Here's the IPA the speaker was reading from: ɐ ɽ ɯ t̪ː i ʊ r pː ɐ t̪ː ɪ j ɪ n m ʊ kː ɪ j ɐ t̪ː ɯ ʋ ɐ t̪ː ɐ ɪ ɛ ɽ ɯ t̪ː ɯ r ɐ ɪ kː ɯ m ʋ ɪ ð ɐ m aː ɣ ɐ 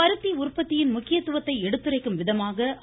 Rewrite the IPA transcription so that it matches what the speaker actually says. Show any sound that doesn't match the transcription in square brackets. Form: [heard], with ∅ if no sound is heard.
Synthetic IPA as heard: ɐ [ɾ] ɯ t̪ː i ʊ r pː ɐ t̪ː ɪ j ɪ n m ʊ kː ɪ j ɐ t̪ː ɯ ʋ ɐ t̪ː ɐ ɪ ɛ ɽ ɯ t̪ː ɯ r ɐ ɪ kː ɯ m ʋ ɪ ð ɐ m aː ɣ ɐ